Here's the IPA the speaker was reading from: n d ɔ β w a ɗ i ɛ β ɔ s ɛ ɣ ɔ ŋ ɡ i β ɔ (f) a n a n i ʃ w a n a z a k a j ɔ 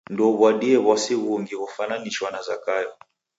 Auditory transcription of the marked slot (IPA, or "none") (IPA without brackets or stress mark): f